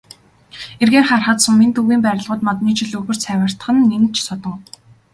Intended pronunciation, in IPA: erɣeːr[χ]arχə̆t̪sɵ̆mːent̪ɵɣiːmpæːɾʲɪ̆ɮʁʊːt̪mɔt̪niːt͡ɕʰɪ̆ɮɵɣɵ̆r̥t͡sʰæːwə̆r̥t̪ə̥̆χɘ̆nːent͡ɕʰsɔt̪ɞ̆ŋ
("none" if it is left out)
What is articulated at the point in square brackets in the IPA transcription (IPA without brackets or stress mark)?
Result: χ